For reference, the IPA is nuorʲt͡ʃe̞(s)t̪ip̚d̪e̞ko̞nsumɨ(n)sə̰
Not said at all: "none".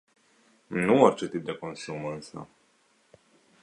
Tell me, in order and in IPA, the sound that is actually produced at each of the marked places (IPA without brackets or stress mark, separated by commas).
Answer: none, n